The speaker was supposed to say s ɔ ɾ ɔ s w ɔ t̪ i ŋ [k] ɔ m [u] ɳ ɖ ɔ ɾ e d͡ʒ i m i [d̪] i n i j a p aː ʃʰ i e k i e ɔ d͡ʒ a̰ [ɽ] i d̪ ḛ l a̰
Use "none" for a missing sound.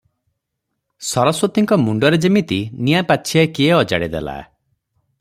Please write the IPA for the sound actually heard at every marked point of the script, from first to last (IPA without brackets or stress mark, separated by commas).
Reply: k, u, t̪, ɽ